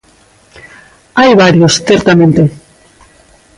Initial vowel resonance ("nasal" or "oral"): oral